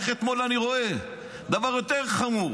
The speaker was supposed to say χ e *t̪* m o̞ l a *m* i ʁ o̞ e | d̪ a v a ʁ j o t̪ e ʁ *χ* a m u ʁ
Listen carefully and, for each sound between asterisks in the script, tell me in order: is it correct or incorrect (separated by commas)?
correct, incorrect, correct